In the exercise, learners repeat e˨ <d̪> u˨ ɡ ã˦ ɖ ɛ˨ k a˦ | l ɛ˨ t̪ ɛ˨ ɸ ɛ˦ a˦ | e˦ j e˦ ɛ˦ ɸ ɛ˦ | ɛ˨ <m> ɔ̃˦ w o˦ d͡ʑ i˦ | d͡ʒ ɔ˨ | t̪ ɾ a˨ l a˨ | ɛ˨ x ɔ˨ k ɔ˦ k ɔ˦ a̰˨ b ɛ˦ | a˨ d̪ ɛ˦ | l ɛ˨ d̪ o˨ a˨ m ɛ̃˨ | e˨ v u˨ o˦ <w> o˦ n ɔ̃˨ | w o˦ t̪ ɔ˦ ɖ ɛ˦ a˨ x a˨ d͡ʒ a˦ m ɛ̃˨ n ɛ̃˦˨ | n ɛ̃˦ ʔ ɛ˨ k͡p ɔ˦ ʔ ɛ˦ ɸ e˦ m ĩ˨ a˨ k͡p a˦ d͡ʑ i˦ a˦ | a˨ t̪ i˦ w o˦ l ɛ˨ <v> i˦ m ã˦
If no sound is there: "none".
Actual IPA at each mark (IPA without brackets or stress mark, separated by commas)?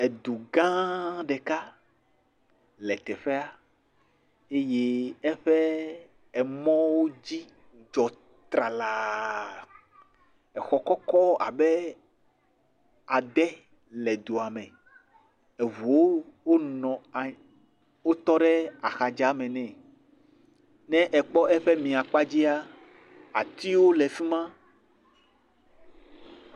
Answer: d̪, m, w, f